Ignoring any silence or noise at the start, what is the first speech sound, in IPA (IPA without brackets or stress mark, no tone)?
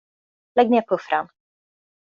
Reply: l